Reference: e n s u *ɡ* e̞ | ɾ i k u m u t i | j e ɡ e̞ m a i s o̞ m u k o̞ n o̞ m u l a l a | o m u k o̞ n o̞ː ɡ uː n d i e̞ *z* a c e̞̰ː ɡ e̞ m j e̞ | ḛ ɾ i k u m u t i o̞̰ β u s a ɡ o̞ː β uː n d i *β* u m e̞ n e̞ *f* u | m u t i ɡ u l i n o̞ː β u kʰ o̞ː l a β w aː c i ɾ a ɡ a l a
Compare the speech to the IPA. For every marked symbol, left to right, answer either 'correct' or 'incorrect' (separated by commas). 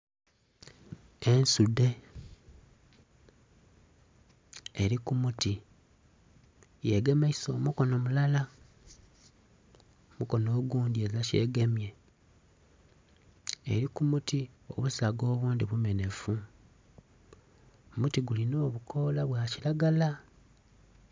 incorrect, correct, correct, correct